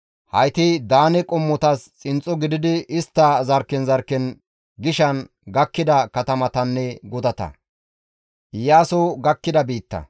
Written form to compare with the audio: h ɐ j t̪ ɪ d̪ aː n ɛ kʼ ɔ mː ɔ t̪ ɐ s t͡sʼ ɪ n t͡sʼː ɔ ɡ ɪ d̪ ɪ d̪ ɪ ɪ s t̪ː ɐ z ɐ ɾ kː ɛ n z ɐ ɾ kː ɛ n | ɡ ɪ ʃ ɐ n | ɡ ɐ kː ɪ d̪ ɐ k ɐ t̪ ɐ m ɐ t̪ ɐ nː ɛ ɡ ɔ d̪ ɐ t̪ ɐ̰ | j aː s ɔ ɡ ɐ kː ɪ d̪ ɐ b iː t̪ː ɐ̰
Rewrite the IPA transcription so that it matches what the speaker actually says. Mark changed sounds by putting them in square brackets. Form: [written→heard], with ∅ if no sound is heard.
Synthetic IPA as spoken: h ɐ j t̪ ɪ d̪ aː n ɛ kʼ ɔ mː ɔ t̪ ɐ s t͡sʼ ɪ n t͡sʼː ɔ ɡ ɪ d̪ ɪ d̪ ɪ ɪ s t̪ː ɐ z ɐ ɾ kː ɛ n z ɐ ɾ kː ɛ n | ɡ ɪ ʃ ɐ n | ɡ ɐ kː ɪ d̪ ɐ k ɐ t̪ ɐ m ɐ t̪ ɐ nː ɛ ɡ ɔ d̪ ɐ t̪ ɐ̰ | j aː s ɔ ɡ ɐ kː ɪ d̪ ɐ b iː t̪ː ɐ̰